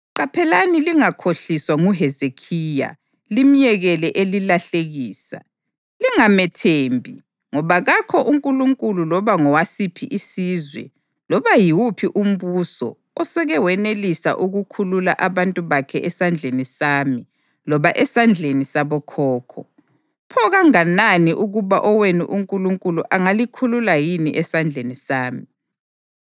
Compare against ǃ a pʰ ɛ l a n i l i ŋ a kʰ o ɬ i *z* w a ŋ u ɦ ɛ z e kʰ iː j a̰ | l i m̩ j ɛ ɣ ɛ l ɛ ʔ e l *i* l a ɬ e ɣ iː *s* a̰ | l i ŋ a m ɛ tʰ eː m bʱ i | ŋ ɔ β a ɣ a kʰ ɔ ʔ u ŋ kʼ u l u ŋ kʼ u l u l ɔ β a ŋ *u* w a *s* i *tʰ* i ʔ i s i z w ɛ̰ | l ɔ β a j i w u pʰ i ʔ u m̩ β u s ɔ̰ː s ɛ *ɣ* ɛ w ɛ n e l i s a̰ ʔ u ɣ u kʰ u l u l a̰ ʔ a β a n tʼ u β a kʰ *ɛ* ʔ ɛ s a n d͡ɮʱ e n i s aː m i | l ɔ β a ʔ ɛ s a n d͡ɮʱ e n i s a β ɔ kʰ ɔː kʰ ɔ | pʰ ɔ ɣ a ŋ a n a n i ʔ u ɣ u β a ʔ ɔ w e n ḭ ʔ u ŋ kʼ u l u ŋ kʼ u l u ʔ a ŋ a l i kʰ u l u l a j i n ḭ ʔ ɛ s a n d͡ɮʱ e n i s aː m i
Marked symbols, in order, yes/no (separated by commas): no, yes, yes, no, yes, no, yes, yes